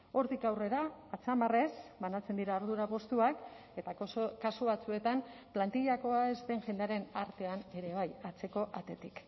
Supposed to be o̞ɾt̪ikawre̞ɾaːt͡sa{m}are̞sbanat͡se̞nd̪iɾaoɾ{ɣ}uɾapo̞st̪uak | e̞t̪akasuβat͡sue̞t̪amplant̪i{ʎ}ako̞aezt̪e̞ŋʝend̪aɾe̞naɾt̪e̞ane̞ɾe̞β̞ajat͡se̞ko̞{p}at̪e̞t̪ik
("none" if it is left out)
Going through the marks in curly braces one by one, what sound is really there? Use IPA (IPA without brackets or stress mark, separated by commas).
m, ð, ʎ, ʔ